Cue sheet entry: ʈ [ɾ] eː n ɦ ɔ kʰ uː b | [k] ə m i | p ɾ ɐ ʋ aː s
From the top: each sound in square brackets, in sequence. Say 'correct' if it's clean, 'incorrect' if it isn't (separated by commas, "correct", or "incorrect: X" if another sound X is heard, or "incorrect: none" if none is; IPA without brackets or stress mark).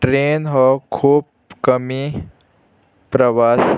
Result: correct, correct